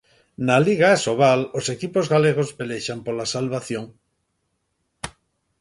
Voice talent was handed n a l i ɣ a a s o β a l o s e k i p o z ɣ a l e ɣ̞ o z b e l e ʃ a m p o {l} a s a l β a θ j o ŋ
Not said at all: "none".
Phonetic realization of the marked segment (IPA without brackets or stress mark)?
l